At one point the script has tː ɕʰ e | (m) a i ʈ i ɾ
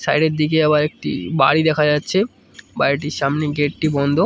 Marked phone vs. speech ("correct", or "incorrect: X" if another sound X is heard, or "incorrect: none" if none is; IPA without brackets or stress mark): incorrect: b